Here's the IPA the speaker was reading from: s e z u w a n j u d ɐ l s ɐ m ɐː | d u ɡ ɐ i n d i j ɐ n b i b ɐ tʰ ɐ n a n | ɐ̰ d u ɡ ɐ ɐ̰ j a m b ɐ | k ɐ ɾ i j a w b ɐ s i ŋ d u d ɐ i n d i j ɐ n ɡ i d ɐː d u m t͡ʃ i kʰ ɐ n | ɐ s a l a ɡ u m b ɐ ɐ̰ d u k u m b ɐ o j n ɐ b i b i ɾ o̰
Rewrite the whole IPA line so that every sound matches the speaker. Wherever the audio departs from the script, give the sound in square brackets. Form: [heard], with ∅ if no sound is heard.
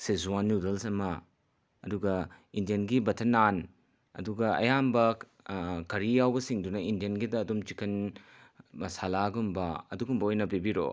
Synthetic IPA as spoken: s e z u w a n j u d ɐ l s ɐ m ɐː | d u ɡ ɐ i n d i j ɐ n [ɡ] i b ɐ tʰ ɐ n a n | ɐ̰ d u ɡ ɐ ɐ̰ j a m b ɐ | k ɐ ɾ i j a w b ɐ s i ŋ d u [n] ɐ i n d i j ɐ n ɡ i d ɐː d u m t͡ʃ i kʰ ɐ n | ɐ s a l a ɡ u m b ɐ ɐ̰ d u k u m b ɐ o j n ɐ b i b i ɾ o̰